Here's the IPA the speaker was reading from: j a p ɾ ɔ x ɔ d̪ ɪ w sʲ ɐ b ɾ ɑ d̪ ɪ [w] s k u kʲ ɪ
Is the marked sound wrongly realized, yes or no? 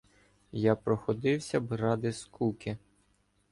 yes